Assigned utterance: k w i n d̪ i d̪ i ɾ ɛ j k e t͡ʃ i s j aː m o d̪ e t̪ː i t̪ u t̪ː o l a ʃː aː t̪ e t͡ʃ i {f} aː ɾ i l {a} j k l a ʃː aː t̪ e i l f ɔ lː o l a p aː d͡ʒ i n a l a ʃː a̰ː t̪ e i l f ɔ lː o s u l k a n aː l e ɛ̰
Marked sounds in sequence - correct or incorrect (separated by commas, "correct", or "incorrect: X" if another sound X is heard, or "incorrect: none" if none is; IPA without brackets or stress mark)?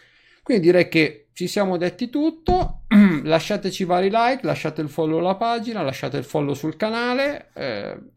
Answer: incorrect: v, correct